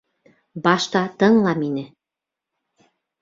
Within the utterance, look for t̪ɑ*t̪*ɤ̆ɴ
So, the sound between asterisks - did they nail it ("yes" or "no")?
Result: yes